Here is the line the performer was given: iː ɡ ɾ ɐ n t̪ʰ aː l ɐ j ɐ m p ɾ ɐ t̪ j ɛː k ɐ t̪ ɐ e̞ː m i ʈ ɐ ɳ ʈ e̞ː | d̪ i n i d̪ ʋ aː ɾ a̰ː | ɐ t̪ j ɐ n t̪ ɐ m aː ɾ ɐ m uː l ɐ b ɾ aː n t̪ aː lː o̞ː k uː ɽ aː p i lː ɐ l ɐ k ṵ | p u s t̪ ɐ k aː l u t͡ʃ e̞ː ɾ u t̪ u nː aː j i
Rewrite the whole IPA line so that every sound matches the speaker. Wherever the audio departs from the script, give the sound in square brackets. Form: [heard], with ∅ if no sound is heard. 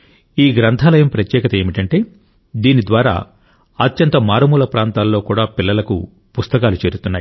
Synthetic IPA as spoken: iː ɡ ɾ ɐ n t̪ʰ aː l ɐ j ɐ m p ɾ ɐ t̪ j ɛː k ɐ t̪ ɐ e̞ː m i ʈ ɐ ɳ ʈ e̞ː | d̪ [iː] n i d̪ ʋ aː ɾ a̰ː | ɐ t̪ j ɐ n t̪ ɐ m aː ɾ ɐ m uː l ɐ [p] ɾ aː n t̪ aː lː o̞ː k uː ɽ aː p i lː ɐ l ɐ k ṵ | p u s t̪ ɐ k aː l u t͡ʃ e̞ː ɾ u t̪ u nː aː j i